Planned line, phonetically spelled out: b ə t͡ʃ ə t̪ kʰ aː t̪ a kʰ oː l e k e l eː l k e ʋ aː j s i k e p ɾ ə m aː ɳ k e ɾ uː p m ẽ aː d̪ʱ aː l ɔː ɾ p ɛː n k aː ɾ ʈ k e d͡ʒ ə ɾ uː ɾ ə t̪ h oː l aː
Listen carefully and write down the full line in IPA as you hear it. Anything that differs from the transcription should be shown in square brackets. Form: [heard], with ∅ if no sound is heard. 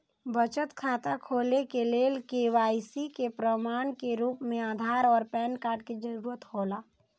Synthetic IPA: b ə t͡ʃ ə t̪ kʰ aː t̪ a kʰ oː l e k e l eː l k e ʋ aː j s i k e p ɾ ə m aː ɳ k e ɾ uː p m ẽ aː d̪ʱ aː [ɾ] ɔː ɾ p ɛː n k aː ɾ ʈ k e d͡ʒ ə ɾ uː ɾ ə t̪ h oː l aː

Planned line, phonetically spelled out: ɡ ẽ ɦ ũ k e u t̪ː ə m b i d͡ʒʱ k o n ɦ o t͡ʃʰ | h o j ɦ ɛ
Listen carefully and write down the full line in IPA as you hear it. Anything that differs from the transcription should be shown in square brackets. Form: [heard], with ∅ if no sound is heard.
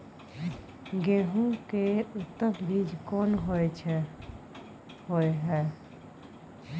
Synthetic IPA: ɡ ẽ ɦ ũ k e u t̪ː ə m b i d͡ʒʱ k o n ɦ o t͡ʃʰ | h o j ɦ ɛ

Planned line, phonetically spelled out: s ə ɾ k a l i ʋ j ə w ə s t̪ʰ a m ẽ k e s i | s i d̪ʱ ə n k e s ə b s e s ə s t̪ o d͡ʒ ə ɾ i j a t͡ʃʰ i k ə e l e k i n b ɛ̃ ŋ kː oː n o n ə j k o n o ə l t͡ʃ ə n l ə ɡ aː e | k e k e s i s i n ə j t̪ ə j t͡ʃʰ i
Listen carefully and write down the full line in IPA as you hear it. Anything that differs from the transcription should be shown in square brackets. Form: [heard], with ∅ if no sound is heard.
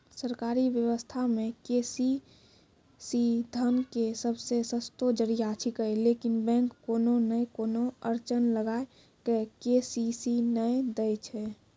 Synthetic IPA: s ə ɾ k a [ɾ] i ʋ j ə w ə s t̪ʰ a m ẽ k e s i | s i d̪ʱ ə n k e s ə b s e s ə s t̪ o d͡ʒ ə ɾ i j a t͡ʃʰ i k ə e l e k i n b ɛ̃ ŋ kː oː n o n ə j k o n o ə [ɾ] t͡ʃ ə n l ə ɡ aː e | k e k e s i s i n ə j [d̪] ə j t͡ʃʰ [ɛ]

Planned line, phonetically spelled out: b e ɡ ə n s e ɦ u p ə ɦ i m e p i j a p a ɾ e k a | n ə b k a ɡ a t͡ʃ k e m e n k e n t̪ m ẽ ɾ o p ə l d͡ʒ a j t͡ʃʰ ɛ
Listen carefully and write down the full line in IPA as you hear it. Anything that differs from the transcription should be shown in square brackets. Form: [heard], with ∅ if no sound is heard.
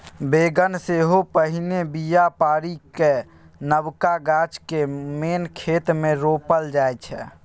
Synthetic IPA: b e ɡ ə n s e ɦ [o] p ə ɦ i [n] e [b] i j a p a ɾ [i] k [e] | n ə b k a ɡ a t͡ʃ k e m e n [kʰ] e [∅] t̪ m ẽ ɾ o p ə l d͡ʒ a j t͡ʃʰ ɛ

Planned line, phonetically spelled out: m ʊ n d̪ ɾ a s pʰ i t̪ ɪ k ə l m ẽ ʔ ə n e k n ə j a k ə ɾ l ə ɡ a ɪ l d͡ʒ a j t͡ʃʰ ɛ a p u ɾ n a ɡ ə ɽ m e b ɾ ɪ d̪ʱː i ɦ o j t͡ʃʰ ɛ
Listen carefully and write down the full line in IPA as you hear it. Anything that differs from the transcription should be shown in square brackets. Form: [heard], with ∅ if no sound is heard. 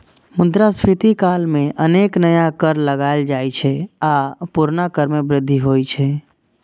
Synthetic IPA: m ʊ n d̪ ɾ a s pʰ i t̪ [i] k [a] l m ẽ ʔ ə n e k n ə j a k ə ɾ l ə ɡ a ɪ l d͡ʒ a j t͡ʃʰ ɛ a p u ɾ n a [k] ə [ɾ] m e b ɾ ɪ d̪ʱː i ɦ o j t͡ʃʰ ɛ

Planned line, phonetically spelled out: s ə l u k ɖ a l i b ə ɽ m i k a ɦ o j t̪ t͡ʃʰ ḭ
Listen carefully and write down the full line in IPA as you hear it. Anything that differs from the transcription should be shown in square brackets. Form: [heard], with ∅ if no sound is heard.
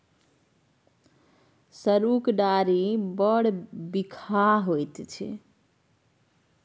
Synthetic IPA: s ə [ɾ] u k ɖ a [ɾ] i b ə ɽ [b] i [kʰ] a ɦ o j t̪ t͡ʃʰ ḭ

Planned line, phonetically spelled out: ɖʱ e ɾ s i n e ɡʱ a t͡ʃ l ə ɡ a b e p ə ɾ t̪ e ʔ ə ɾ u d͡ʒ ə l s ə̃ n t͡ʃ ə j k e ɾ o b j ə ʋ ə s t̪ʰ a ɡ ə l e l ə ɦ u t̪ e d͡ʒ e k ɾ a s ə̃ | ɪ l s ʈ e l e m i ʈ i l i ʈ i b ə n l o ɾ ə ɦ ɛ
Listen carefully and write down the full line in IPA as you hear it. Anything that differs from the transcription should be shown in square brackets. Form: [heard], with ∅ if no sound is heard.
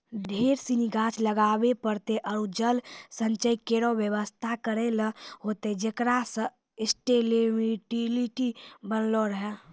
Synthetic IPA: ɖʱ e ɾ s i n [i] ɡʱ a t͡ʃ l ə ɡ a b e p ə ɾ t̪ e ʔ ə ɾ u d͡ʒ ə l s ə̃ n t͡ʃ ə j k e ɾ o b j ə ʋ ə s t̪ʰ a [k] ə [ɾ] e l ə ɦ [o] t̪ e d͡ʒ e k ɾ a s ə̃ | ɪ [∅] s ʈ e l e m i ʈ i l i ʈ i b ə n l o ɾ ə ɦ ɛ

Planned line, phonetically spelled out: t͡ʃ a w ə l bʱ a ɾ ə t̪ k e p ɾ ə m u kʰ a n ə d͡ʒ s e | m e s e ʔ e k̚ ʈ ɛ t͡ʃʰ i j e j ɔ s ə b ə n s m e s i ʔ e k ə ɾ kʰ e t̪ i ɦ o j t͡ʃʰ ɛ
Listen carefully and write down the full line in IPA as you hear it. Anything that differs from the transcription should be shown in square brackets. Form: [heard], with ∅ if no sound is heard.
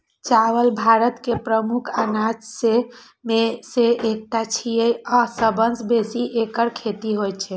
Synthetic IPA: t͡ʃ a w ə l bʱ a ɾ ə t̪ k e p ɾ ə m u kʰ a n [a] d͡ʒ s e | m e s e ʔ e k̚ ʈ [a] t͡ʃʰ i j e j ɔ s ə b ə n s [b] e s i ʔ e k ə ɾ kʰ e t̪ i ɦ o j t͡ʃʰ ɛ

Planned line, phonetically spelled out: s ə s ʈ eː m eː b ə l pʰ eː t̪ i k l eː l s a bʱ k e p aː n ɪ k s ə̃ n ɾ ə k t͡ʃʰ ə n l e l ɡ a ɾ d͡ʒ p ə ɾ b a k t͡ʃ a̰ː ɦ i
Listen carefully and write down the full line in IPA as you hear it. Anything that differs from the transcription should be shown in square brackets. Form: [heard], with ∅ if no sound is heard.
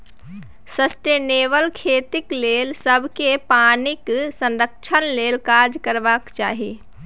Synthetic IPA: s ə s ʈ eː [n] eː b ə l [kʰ] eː t̪ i k l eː l s [ə] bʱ k e p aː n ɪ k s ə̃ n ɾ ə k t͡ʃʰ ə n l e l [k] a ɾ d͡ʒ [k] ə ɾ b a k t͡ʃ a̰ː ɦ i

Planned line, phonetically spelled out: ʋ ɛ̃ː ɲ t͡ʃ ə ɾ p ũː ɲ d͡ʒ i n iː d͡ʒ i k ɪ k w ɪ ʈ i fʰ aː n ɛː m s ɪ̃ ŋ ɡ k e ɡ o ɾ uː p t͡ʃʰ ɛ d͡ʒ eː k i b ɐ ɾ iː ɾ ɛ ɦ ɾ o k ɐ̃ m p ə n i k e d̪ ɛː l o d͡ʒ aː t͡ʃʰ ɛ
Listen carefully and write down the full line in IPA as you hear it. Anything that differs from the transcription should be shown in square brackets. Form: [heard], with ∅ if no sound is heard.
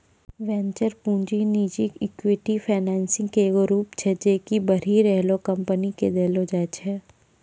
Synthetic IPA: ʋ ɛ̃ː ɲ t͡ʃ ə ɾ p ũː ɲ d͡ʒ i n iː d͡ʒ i k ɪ k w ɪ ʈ i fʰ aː n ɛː [n] s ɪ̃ ŋ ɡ k e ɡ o ɾ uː p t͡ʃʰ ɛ d͡ʒ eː k i b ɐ ɾ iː ɾ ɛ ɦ [l] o k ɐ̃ m p ə n i k e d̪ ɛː l o d͡ʒ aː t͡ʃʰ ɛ

